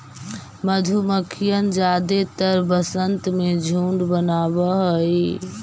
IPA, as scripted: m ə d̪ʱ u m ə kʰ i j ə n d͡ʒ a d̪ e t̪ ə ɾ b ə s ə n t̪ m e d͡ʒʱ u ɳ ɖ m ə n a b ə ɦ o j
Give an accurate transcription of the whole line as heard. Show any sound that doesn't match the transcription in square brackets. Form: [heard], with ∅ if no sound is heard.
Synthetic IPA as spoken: m ə d̪ʱ u m ə kʰ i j ə n d͡ʒ a d̪ e t̪ ə ɾ b ə s ə n t̪ m e d͡ʒʱ u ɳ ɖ [b] ə n a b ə ɦ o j